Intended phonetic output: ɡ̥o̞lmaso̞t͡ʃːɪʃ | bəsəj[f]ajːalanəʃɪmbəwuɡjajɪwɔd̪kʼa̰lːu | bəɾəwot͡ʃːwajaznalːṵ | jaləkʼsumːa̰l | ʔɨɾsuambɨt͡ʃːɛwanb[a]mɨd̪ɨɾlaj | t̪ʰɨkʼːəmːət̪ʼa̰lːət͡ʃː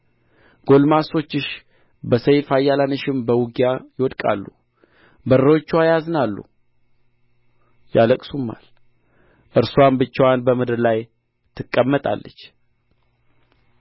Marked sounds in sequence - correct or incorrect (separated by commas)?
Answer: correct, incorrect